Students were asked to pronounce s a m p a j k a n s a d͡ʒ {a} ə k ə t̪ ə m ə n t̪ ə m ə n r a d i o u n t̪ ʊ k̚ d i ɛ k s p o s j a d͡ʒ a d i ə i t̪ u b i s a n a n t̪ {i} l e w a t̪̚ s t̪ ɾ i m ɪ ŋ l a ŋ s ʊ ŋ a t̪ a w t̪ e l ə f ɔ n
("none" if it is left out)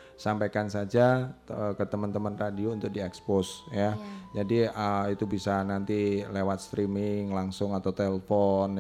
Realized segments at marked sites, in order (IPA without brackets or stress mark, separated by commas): a, i